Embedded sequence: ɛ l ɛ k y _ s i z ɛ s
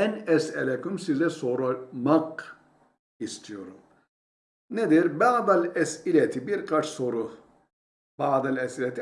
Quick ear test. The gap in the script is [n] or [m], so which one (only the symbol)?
m